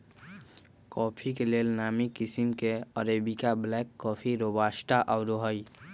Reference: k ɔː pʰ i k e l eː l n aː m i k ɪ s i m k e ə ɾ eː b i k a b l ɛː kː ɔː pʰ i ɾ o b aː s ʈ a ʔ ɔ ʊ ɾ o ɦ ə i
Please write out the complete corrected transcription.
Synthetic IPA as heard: k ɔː pʰ i k e l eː l n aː m i k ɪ s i m k e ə ɾ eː b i k a b l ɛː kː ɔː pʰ i ɾ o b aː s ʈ a ʔ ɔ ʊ ɾ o ɦ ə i